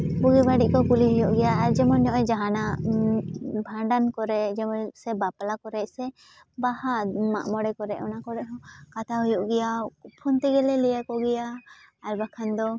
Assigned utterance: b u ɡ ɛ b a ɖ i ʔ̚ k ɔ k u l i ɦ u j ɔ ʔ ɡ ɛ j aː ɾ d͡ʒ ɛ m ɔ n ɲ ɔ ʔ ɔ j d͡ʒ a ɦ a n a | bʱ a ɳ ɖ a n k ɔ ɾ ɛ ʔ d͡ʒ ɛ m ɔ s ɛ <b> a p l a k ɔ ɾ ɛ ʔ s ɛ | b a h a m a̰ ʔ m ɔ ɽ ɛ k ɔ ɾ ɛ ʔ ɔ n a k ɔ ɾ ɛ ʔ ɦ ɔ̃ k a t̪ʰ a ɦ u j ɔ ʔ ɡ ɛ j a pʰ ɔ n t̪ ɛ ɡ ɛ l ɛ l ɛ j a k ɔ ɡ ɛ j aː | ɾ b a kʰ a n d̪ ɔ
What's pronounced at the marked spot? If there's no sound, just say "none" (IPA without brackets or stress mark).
b